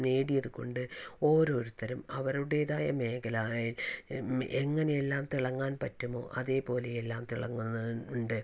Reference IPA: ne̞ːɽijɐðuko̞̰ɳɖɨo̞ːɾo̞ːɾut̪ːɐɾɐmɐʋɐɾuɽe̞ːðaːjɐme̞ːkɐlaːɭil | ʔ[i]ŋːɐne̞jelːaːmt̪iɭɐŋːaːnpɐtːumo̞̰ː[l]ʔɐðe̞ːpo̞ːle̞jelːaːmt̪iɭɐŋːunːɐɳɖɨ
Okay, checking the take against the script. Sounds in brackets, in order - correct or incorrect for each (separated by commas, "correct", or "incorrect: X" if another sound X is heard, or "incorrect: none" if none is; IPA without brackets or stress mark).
incorrect: e, incorrect: none